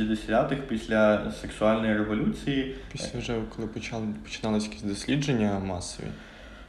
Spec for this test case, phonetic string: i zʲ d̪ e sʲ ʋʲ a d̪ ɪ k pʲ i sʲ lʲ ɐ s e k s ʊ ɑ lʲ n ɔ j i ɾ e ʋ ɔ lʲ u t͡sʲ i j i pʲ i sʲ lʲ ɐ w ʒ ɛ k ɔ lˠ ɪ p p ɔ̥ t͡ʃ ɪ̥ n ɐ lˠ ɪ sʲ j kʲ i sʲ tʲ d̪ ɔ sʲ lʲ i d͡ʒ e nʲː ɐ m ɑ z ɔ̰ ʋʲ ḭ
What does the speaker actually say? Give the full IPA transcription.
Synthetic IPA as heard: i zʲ d̪ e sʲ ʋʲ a t̪ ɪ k pʲ i sʲ lʲ ɐ s e k s ʊ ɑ lʲ n ɔ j i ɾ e ʋ ɔ lʲ u t͡sʲ i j i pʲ i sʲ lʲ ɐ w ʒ ɛ k ɔ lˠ ɪ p p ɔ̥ t͡ʃ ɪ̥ n ɑ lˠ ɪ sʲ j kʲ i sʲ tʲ d̪ ɔ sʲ lʲ i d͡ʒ e nʲː ɐ m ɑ s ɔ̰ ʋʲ ḭ